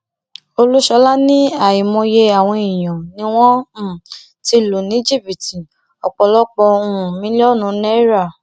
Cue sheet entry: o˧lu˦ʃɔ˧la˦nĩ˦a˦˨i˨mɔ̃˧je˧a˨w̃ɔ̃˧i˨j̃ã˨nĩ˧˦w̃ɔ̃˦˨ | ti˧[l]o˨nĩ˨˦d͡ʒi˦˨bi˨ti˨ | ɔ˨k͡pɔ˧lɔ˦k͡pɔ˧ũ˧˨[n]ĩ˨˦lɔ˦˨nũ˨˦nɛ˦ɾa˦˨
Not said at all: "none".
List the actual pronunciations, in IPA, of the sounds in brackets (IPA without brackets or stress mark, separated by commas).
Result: l, m